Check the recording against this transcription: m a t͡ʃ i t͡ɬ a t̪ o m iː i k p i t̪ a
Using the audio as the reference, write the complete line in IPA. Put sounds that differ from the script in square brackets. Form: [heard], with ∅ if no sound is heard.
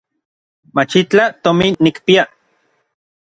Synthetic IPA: m a t͡ʃ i t͡ɬ a t̪ o m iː i k p i [∅] a

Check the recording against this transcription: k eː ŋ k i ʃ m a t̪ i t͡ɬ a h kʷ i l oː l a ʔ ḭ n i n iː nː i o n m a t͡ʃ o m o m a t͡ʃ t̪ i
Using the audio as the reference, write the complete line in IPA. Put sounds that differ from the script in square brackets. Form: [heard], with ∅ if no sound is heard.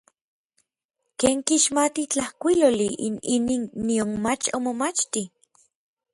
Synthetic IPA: k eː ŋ k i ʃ m a t̪ i t͡ɬ a h kʷ i l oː l [i] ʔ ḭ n i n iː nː i o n m a t͡ʃ o m o m a t͡ʃ t̪ i

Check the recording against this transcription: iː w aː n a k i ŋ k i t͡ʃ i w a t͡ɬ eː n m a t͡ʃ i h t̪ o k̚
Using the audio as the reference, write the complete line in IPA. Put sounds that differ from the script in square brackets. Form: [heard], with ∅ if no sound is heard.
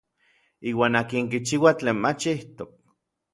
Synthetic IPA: iː w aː n a k i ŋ k i t͡ʃ i w a t͡ɬ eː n m a t͡ʃ i h t̪ o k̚

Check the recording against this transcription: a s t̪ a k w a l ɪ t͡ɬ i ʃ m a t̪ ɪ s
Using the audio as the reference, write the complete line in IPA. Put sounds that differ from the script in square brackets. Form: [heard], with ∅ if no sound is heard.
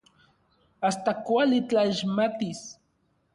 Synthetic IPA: a s t̪ a k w a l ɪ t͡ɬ [a] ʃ m a t̪ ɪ s

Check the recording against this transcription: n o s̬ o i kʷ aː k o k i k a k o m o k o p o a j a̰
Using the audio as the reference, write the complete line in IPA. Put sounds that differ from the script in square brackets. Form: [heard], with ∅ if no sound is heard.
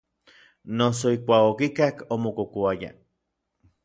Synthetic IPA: n o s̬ o i kʷ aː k o k i k a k o m o k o [k] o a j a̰

